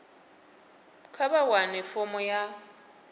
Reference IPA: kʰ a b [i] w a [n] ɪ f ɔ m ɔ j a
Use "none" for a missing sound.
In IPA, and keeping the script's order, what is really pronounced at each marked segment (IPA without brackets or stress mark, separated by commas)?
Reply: a, n